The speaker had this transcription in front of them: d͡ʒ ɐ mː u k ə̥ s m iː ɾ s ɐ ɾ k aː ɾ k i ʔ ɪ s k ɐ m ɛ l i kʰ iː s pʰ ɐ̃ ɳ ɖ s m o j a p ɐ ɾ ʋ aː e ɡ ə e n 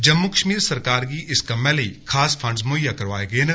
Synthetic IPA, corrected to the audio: d͡ʒ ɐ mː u k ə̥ ʃ m iː ɾ s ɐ ɾ k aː ɾ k i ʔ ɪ s k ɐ m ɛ l i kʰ aː s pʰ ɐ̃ ɳ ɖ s m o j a k ɐ ɾ ʋ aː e ɡ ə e n